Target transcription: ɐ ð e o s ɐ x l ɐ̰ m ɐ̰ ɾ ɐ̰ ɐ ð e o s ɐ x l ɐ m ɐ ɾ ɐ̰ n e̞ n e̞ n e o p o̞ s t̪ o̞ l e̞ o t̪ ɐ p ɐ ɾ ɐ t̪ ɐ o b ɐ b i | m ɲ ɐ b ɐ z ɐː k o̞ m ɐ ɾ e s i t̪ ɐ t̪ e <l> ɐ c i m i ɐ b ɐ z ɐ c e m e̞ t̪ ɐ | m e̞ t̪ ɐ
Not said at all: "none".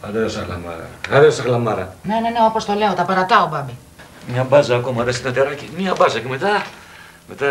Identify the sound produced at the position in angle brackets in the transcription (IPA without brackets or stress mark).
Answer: ɾ